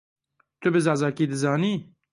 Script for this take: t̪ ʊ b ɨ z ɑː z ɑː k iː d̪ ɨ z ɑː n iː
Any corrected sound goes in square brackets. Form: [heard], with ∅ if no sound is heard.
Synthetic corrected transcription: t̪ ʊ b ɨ z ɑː z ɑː k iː d̪ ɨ z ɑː n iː